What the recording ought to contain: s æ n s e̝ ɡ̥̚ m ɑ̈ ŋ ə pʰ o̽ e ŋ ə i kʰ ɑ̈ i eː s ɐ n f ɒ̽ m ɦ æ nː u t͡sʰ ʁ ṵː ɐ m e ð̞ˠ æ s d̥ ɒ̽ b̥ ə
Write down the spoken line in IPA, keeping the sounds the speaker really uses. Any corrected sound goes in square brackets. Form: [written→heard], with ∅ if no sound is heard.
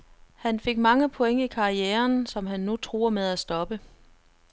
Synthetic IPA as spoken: [s→h] æ n [s→f] e̝ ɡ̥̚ m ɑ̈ ŋ ə pʰ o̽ e ŋ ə i kʰ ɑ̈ i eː [s→∅] ɐ n [f→s] ɒ̽ m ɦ æ nː u t͡sʰ ʁ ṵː ɐ m e ð̞ˠ æ s d̥ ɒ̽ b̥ ə